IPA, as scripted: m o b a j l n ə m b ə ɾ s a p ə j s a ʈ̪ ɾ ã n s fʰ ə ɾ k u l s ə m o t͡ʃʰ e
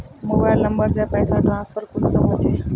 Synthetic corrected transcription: m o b a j l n ə m b ə ɾ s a p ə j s a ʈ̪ ɾ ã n s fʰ ə ɾ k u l s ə m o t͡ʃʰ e